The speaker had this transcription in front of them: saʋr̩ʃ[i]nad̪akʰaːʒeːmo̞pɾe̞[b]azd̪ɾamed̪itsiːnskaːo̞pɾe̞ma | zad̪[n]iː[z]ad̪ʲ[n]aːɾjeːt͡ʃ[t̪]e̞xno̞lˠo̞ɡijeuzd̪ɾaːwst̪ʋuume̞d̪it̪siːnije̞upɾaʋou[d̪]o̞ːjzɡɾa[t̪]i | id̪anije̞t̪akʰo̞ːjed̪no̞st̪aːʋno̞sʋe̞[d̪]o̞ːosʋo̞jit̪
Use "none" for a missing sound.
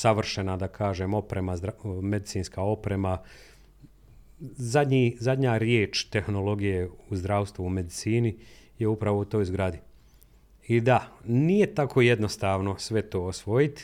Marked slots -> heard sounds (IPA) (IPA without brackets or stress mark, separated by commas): e, m, ɲ, z, ɲ, t̪, t̪, d̪, t̪